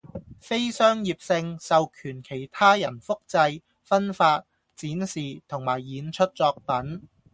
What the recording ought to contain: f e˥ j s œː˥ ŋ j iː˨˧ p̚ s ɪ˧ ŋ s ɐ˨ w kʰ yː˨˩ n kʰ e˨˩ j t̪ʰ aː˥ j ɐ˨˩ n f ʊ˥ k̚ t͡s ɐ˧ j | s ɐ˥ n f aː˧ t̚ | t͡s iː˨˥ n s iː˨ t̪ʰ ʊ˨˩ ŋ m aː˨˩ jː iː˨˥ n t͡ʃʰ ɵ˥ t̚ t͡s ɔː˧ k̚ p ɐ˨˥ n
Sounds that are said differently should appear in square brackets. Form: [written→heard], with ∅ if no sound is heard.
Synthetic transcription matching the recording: f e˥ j s œː˥ ŋ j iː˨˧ p̚ s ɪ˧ ŋ s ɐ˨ w kʰ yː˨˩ n kʰ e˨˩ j t̪ʰ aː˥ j ɐ˨˩ n f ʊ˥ k̚ t͡s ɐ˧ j | [s→f] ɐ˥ n f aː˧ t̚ | t͡s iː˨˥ n s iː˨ t̪ʰ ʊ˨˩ ŋ m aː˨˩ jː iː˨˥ n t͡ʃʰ ɵ˥ t̚ t͡s ɔː˧ k̚ p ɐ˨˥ n